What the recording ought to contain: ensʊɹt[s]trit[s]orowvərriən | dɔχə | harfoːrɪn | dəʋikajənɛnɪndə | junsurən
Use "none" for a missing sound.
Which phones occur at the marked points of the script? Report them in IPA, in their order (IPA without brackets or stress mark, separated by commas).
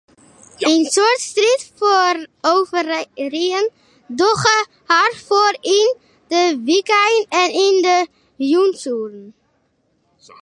s, f